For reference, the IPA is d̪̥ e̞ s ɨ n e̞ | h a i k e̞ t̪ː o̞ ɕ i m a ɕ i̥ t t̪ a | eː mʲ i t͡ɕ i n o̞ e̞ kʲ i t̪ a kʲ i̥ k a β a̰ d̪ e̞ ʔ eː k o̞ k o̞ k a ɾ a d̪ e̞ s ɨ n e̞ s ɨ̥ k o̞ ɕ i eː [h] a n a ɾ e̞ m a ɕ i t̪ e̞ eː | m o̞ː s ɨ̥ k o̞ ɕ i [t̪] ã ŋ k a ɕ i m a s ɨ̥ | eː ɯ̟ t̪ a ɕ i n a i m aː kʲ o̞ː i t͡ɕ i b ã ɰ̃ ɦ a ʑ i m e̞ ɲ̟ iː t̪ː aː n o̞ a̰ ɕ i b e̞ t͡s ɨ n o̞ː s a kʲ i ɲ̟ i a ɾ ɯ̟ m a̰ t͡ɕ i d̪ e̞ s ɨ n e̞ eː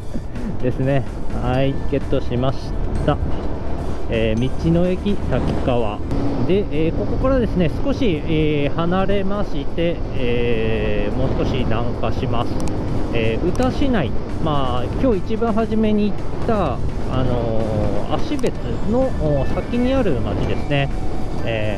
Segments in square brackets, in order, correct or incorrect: correct, incorrect: d̪

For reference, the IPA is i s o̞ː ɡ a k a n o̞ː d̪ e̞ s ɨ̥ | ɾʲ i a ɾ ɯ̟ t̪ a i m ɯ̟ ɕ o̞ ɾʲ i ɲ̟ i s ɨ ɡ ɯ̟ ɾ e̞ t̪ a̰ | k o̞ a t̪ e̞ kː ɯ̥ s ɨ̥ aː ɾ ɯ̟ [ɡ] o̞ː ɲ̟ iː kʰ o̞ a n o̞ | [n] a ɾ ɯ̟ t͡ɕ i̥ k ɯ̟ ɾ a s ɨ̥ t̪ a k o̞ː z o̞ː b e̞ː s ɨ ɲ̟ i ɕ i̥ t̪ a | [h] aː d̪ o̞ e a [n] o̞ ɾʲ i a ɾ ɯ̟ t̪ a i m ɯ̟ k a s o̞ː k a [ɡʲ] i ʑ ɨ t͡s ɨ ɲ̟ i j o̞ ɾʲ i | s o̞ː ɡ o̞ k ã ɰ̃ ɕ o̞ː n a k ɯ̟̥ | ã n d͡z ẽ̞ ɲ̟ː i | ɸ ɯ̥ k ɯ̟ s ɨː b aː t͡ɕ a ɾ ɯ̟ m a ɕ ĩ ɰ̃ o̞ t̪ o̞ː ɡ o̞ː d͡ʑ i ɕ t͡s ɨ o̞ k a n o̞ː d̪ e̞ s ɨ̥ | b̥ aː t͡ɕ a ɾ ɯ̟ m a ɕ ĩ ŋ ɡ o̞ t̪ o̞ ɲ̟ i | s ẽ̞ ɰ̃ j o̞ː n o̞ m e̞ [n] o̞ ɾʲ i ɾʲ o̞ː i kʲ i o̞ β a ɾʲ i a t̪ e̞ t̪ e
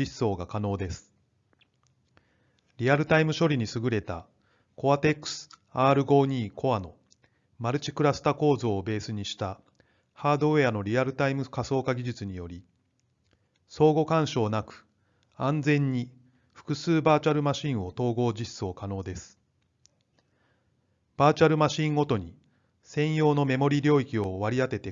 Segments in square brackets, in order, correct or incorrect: correct, incorrect: m, correct, correct, correct, incorrect: m

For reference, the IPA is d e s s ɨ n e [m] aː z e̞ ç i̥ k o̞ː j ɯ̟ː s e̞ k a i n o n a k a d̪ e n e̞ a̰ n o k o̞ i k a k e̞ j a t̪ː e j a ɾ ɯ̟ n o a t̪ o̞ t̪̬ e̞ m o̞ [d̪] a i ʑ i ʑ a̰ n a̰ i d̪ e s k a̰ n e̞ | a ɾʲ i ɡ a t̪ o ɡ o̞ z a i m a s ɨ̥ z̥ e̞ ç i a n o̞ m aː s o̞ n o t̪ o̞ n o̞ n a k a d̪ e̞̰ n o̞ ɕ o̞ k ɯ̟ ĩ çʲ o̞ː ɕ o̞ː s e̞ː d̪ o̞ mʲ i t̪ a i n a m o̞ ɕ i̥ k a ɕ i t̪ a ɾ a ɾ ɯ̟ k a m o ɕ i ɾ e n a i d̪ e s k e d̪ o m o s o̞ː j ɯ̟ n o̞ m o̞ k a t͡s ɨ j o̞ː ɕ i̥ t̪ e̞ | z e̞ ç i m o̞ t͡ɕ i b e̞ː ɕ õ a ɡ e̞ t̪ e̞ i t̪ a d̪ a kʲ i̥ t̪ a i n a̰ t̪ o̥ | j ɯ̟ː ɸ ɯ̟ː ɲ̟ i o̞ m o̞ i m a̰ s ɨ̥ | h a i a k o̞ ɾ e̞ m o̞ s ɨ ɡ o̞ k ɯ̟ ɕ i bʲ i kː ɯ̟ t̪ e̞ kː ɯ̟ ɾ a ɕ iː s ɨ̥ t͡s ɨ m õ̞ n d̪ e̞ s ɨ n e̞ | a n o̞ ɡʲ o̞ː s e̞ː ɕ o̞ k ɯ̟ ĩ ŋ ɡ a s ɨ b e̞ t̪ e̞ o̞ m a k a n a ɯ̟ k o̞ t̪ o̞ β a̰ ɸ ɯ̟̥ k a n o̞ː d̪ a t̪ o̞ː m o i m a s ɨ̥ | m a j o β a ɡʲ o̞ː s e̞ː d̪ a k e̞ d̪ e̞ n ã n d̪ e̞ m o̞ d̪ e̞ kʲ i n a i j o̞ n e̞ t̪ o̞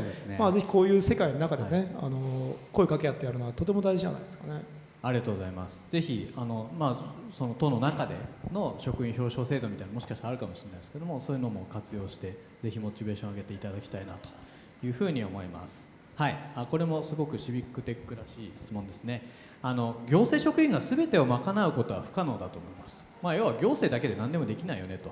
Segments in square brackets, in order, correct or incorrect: correct, correct

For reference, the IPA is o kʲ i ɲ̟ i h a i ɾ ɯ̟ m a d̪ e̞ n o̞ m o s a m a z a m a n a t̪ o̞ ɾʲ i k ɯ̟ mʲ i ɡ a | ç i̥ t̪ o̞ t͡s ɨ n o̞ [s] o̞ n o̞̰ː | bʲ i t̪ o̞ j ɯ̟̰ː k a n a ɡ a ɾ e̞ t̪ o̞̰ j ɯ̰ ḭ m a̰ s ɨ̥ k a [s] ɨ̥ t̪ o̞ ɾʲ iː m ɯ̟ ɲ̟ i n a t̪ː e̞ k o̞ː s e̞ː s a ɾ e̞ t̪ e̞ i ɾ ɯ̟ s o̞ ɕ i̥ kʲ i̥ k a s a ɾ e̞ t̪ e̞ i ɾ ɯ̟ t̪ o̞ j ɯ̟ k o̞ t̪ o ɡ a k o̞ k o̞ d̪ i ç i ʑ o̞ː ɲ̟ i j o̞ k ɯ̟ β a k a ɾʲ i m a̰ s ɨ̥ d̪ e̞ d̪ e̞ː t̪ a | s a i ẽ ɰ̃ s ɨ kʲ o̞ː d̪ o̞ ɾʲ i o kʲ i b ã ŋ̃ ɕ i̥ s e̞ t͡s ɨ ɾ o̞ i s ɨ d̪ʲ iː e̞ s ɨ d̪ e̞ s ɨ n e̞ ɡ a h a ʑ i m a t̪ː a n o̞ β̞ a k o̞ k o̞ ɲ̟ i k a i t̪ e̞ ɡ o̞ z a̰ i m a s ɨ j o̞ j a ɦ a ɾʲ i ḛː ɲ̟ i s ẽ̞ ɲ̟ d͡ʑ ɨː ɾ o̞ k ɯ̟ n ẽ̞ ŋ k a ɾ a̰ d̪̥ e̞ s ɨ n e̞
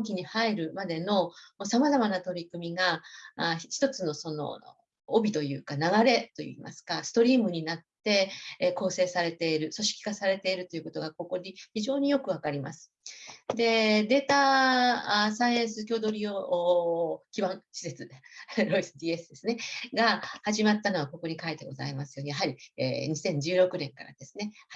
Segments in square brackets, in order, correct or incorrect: correct, correct

